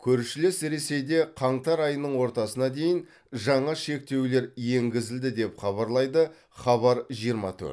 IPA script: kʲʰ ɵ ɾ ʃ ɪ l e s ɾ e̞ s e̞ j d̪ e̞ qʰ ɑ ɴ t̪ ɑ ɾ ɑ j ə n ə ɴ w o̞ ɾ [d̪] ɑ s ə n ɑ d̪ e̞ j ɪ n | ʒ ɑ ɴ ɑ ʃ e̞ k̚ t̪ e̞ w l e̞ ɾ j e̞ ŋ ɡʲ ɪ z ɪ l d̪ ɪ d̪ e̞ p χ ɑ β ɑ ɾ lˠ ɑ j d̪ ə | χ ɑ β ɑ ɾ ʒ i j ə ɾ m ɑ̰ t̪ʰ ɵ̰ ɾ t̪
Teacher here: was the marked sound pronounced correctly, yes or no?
no